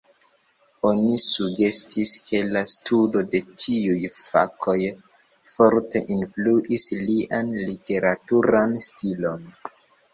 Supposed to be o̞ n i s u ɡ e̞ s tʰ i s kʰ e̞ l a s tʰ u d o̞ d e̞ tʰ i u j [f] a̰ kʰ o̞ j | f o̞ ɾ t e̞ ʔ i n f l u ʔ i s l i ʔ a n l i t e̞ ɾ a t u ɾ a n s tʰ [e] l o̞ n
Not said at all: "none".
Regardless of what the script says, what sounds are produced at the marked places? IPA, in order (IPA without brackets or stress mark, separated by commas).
f, i